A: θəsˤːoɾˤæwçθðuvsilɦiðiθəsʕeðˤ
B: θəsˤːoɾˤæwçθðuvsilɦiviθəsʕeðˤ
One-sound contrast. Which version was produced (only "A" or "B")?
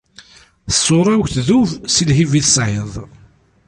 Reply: B